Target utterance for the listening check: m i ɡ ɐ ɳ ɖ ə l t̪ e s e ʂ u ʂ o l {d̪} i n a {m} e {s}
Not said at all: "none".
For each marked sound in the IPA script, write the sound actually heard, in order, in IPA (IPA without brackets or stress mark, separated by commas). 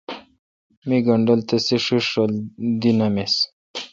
d̪, m, s